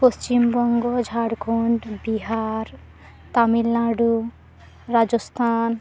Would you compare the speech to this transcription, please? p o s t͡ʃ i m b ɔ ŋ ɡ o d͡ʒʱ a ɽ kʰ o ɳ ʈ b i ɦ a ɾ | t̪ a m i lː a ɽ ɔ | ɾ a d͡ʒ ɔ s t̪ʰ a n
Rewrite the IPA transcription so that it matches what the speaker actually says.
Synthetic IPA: p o s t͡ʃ i m b ɔ ŋ ɡ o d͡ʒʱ a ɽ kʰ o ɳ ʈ b i ɦ a ɾ | t̪ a m i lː a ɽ u | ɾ a d͡ʒ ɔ s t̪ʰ a n